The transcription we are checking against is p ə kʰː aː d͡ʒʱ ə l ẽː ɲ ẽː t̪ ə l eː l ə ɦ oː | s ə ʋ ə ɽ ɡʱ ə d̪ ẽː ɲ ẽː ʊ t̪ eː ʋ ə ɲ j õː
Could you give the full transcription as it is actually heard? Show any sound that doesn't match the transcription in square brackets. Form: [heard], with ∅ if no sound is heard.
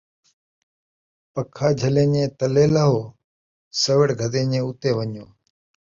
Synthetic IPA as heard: p ə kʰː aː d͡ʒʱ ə l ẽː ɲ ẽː t̪ ə l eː l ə ɦ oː | s ə ʋ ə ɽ ɡʱ ə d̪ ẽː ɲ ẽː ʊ t̪ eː ʋ ə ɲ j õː